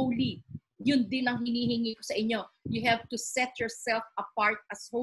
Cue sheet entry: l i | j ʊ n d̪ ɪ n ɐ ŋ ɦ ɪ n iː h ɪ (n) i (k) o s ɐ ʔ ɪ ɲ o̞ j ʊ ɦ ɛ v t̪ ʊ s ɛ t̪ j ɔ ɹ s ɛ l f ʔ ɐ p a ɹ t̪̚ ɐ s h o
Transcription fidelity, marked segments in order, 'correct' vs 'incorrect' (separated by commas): incorrect, correct